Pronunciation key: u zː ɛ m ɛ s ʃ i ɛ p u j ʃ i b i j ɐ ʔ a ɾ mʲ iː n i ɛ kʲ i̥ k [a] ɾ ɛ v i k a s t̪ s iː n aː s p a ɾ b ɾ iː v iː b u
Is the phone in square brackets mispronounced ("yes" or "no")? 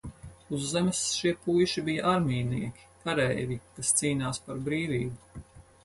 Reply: no